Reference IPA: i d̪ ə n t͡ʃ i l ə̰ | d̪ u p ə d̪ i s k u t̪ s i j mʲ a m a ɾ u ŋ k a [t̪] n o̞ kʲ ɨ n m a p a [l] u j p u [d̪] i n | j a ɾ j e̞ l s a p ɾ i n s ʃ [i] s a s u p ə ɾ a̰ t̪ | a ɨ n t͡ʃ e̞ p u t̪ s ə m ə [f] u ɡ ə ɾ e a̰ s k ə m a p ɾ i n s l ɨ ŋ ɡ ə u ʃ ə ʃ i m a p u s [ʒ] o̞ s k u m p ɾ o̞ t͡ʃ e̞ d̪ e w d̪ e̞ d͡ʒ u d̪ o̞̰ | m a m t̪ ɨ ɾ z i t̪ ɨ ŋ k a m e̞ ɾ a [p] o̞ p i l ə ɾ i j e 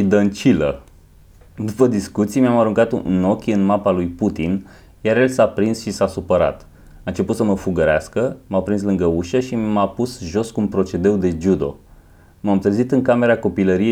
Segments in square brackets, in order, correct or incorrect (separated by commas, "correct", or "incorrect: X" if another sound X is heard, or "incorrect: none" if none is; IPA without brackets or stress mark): correct, correct, incorrect: t̪, correct, correct, correct, incorrect: k